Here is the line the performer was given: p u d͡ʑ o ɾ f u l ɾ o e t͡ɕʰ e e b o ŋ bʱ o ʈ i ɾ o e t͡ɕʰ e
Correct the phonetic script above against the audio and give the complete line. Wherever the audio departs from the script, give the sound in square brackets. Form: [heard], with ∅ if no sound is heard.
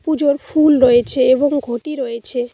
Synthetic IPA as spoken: p u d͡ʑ o ɾ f u l ɾ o e t͡ɕʰ e e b o ŋ [ɡʱ] o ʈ i ɾ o e t͡ɕʰ e